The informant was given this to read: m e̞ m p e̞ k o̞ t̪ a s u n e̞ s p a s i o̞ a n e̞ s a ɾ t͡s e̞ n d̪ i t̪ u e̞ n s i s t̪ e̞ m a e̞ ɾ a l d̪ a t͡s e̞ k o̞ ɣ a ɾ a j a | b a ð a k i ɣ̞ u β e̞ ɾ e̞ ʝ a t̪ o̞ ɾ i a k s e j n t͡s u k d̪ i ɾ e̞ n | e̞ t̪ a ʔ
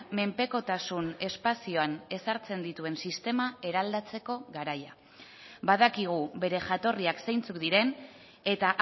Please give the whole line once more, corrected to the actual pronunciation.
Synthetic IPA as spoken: m e̞ m p e̞ k o̞ t̪ a s u n e̞ s p a s i o̞ a n e̞ s a ɾ t͡s e̞ n d̪ i t̪ u e̞ n s i s t̪ e̞ m a e̞ ɾ a l d̪ a t͡s e̞ k o̞ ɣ a ɾ a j a | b a ð a k i ɣ̞ u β e̞ ɾ e̞ ʝ a t̪ o̞ r i a k s e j n t͡s u k d̪ i ɾ e̞ n | e̞ t̪ a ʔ